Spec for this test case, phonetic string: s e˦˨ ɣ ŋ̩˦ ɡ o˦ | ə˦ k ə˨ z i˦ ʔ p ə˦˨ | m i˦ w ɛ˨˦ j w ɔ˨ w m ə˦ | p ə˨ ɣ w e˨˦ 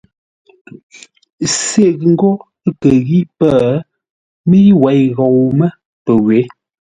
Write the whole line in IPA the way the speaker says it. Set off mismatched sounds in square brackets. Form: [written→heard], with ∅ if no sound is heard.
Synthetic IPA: s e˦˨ ɣ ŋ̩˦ ɡ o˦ | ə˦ k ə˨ [z→ɣ] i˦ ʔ p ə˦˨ | m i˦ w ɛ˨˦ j [w→ɣ] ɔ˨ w m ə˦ | p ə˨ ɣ w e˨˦